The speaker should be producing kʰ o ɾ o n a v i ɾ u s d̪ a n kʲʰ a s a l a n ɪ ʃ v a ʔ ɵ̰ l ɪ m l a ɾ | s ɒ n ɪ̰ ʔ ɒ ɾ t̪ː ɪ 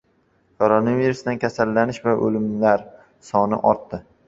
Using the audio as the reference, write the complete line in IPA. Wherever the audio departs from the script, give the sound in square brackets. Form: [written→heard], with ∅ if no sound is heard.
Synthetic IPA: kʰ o ɾ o n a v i ɾ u s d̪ a n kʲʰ a s a [l→lː] a n ɪ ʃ v a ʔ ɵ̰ l ɪ m l a ɾ | s ɒ n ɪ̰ ʔ ɒ ɾ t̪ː ɪ